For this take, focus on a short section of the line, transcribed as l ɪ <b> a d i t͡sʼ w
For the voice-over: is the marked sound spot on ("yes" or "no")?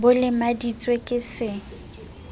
no